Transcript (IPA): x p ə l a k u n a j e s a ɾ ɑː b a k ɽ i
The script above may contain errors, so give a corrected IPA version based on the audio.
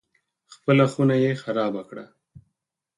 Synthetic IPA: x p ə l a x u n a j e x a ɾ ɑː b a k ɽ a